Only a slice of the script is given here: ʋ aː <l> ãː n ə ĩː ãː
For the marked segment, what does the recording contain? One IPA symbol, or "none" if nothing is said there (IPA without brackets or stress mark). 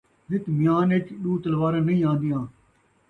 ɾ